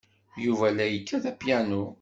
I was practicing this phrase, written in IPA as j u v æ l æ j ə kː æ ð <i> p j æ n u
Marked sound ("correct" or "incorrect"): incorrect